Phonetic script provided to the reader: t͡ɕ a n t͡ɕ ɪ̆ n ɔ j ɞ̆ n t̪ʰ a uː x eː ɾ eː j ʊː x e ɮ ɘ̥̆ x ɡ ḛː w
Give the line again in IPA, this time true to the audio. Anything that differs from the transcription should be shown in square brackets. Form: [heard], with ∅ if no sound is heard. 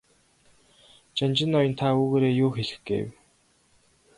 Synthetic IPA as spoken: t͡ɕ a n t͡ɕ ɪ̆ n ɔ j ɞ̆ n t̪ʰ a uː [ɣ] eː ɾ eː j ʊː x e ɮ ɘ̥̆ x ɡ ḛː w